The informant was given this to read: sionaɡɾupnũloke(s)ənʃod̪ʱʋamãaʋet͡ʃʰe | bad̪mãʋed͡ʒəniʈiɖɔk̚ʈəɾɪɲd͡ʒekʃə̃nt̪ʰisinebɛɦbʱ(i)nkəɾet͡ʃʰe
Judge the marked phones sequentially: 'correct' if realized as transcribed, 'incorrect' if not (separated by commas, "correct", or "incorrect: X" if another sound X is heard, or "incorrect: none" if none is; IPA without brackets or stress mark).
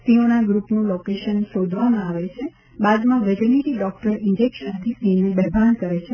incorrect: ʃ, incorrect: a